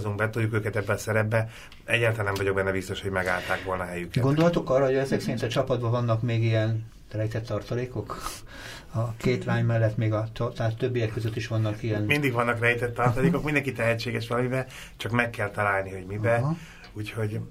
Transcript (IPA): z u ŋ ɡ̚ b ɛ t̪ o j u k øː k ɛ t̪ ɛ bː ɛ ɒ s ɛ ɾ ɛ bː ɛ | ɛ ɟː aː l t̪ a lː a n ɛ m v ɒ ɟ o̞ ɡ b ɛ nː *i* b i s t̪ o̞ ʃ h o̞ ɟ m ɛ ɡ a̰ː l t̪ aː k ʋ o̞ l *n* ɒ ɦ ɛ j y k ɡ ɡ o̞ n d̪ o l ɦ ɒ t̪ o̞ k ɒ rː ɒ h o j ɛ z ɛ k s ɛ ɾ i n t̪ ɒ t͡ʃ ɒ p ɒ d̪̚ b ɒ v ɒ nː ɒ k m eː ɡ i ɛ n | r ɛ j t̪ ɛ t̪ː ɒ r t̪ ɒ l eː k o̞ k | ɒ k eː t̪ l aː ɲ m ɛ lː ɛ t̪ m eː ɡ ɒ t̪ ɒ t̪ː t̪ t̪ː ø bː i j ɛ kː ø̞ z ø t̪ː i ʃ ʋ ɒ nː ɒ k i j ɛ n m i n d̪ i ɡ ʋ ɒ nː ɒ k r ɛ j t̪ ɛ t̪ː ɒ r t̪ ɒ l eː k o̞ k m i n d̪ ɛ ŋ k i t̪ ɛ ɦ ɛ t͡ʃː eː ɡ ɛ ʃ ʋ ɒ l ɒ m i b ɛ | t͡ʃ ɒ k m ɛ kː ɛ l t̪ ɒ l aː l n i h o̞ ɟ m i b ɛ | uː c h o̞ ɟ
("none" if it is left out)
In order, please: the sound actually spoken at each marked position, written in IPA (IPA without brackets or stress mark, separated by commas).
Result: ɛ, n